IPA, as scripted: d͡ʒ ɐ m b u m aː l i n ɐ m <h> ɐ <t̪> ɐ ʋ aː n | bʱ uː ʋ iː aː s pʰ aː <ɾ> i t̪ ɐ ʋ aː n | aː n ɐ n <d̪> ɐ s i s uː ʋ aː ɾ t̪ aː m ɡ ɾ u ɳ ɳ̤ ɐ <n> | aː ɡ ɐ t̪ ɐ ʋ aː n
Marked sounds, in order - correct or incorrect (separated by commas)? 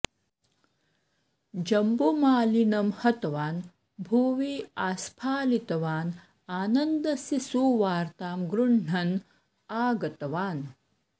correct, correct, incorrect, correct, correct